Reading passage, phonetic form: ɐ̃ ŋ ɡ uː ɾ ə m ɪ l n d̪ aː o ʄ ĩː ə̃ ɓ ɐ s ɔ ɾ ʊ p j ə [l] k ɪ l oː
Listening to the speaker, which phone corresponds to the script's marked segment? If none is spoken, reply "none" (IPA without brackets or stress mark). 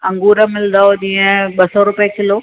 none